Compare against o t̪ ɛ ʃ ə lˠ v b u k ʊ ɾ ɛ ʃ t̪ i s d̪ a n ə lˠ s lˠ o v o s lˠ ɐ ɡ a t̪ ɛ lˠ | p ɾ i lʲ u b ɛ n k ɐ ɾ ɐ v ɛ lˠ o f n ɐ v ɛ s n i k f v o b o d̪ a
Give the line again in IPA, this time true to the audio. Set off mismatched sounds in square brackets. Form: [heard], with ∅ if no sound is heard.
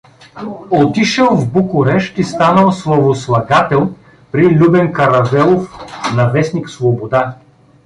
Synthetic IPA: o t̪ [i] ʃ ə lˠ v b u k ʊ ɾ ɛ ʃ t̪ i s [t̪] a n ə lˠ s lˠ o v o s lˠ ɐ ɡ a t̪ ɛ lˠ | p ɾ i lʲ u b ɛ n k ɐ ɾ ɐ v ɛ lˠ o f n ɐ v ɛ s n i k [s] v o b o d̪ a